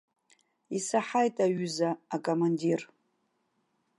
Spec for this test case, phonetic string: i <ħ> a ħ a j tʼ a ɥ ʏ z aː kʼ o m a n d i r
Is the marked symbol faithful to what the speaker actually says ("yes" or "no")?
no